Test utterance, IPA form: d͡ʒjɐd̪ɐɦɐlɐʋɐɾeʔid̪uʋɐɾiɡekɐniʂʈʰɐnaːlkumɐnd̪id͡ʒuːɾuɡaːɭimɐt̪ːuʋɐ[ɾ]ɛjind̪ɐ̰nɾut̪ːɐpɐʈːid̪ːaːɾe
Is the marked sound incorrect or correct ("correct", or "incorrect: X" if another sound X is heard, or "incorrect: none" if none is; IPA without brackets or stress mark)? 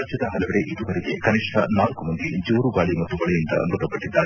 incorrect: ɭ